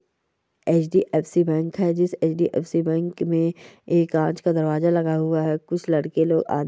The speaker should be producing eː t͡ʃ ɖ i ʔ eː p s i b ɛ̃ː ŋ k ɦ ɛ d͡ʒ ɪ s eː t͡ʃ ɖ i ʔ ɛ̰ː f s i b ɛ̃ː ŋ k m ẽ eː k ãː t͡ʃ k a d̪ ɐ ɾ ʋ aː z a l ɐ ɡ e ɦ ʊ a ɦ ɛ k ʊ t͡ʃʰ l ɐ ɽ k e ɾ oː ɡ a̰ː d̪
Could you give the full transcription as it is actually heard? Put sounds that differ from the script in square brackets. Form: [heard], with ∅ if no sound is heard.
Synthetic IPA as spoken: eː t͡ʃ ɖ i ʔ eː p s i b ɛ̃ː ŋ k ɦ ɛ d͡ʒ ɪ s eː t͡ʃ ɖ i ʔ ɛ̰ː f s i b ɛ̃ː ŋ k m ẽ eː k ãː t͡ʃ k a d̪ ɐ ɾ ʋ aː z a l ɐ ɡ [a] ɦ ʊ a ɦ ɛ k ʊ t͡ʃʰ l ɐ ɽ k e [l] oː ɡ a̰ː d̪